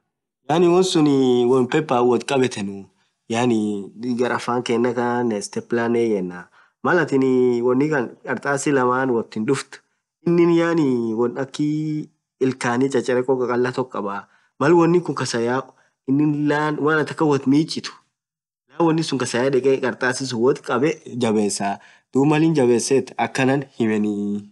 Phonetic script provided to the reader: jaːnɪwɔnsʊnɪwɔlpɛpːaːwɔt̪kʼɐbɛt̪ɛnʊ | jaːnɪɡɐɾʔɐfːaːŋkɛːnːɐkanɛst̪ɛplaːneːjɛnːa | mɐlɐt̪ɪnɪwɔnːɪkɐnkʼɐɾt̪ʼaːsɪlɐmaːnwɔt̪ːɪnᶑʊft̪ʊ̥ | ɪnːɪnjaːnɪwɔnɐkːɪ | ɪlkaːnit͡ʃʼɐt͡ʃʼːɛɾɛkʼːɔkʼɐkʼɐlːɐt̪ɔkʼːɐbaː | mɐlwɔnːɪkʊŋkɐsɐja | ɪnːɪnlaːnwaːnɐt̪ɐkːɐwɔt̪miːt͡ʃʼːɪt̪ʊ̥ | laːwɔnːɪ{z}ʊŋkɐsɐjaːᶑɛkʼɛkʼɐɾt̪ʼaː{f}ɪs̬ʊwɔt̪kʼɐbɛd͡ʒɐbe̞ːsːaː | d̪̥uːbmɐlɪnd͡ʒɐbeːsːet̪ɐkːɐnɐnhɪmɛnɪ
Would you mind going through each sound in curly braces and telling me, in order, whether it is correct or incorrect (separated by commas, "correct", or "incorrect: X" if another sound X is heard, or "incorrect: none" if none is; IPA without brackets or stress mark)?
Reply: incorrect: s, incorrect: s